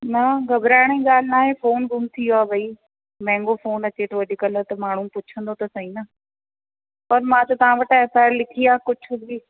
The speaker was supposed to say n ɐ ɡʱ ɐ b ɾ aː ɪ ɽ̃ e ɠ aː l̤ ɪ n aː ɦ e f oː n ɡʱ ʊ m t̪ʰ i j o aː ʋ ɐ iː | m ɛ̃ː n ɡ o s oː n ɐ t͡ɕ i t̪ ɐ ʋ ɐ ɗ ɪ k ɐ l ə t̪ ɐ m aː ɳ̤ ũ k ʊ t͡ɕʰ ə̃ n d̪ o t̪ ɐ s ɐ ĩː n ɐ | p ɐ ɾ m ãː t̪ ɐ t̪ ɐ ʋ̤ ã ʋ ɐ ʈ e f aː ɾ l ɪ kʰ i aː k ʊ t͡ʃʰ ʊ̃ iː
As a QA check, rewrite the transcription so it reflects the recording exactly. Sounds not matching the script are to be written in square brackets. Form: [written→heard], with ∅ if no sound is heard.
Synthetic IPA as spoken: n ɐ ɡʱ ɐ b ɾ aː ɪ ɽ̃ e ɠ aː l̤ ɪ n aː ɦ e f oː n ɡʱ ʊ m t̪ʰ i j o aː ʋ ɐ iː | m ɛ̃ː [n→ŋ] ɡ o [s→f] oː n ɐ t͡ɕ [i→e] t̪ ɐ ʋ ɐ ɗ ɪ k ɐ l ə t̪ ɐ m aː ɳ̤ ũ [k→p] ʊ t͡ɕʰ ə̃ n d̪ o t̪ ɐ s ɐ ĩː n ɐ | p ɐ ɾ m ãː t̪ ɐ t̪ ɐ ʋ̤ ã ʋ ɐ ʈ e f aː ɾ l ɪ kʰ i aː k ʊ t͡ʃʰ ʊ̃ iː